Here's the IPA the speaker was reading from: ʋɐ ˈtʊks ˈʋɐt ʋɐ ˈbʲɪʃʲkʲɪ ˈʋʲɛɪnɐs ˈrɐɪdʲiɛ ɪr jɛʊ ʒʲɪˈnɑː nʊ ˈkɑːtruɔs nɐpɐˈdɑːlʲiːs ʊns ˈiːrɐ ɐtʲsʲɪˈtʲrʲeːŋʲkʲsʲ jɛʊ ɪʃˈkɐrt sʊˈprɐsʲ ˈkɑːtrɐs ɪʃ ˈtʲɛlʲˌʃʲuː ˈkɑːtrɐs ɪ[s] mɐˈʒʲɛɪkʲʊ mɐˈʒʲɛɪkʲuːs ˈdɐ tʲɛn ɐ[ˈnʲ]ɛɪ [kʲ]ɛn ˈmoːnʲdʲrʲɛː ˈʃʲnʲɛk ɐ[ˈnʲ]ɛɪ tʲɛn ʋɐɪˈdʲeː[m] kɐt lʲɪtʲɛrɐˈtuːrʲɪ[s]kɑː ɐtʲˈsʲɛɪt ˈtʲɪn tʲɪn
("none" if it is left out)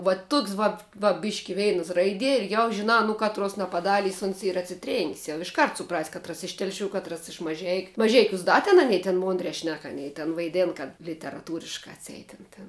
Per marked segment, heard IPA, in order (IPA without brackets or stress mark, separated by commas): ʃ, nʲ, tʲ, nʲ, n, ʃ